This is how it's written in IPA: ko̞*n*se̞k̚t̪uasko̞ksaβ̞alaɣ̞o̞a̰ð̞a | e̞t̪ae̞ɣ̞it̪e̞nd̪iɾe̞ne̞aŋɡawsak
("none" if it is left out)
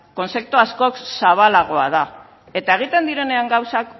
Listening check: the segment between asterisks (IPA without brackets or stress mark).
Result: n